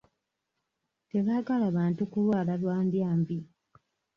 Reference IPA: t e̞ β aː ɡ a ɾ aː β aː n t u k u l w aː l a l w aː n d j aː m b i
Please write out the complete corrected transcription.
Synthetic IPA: t e̞ β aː ɡ a l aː β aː n t u k u l w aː l a l w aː n d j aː m b i